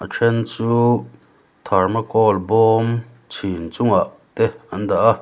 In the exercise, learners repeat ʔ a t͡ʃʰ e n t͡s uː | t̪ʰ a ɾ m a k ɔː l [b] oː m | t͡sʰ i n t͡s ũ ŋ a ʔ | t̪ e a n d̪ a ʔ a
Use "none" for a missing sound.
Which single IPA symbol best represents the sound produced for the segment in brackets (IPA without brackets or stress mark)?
b